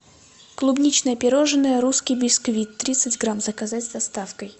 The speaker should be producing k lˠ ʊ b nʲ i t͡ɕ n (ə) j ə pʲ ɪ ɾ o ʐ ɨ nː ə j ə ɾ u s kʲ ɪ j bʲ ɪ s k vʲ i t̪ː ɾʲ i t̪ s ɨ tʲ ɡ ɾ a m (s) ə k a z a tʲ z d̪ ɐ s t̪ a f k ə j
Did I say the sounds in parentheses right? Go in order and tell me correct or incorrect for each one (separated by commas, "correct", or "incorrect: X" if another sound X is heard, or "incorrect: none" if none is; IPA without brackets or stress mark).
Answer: correct, incorrect: z